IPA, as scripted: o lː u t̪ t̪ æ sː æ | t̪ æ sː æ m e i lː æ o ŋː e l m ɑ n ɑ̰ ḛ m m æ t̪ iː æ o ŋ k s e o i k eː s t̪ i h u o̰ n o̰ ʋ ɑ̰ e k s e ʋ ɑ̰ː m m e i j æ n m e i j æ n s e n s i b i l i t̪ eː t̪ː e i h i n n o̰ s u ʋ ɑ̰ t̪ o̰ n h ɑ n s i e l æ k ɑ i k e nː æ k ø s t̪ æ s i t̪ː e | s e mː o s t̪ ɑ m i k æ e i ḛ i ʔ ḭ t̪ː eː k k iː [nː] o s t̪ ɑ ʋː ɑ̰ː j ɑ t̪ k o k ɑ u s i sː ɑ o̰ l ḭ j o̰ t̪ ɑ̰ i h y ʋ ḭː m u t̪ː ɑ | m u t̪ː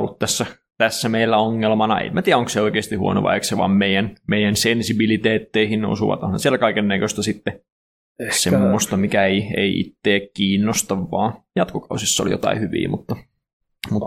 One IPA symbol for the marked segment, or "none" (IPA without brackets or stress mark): nː